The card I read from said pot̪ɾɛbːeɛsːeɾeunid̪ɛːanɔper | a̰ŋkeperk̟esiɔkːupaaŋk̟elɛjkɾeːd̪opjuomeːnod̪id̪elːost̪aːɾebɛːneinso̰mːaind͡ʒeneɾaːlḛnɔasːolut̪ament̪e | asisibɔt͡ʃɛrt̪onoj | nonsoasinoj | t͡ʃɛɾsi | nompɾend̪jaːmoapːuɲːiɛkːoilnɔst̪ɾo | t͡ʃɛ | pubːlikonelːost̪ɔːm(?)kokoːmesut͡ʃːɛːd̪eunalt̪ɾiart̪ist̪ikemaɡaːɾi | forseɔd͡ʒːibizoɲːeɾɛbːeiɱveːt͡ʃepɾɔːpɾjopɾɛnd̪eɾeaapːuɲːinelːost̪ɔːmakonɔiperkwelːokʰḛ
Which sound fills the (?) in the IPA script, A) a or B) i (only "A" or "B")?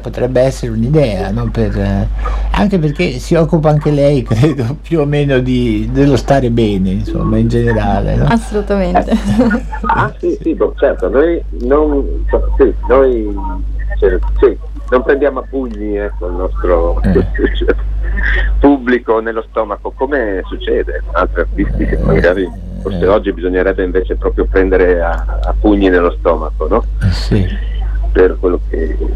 A